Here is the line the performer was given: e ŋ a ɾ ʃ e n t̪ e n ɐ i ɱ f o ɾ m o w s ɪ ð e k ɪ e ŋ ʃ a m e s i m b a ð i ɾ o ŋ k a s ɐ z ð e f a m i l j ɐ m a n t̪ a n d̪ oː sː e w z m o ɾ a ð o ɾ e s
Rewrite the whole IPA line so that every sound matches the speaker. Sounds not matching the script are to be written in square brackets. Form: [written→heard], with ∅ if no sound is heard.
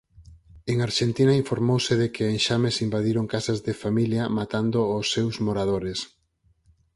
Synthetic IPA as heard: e ŋ a ɾ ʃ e n t̪ [e→i] n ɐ i ɱ f o ɾ m o w s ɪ ð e k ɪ e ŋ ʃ a m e s i m b a ð i ɾ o ŋ k a s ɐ z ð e f a m i l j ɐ m a [n→∅] t̪ a n d̪ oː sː e w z m o ɾ a ð o ɾ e s